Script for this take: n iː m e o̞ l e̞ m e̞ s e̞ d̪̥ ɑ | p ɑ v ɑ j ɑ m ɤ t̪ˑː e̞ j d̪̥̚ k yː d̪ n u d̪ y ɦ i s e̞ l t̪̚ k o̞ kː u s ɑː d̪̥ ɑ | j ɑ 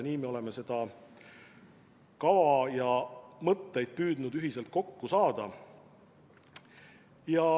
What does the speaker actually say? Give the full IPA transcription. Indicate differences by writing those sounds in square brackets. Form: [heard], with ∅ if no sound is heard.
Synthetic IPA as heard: n iː m e o̞ l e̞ m e̞ s e̞ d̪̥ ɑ | [k] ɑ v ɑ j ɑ m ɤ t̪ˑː e̞ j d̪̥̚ [p] yː d̪ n u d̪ y ɦ i s e̞ l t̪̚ k o̞ kː u s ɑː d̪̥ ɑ | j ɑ